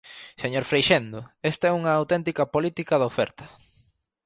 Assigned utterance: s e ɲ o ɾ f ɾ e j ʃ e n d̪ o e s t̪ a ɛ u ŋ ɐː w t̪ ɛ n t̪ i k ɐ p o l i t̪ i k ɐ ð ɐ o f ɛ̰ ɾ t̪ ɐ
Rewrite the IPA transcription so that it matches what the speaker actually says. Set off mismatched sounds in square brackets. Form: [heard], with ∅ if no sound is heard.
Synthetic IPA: s e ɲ o ɾ f ɾ e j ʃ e n d̪ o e s t̪ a ɛ u ŋ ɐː w t̪ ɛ n t̪ i k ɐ p o l i t̪ i k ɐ ð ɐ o f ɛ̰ ɾ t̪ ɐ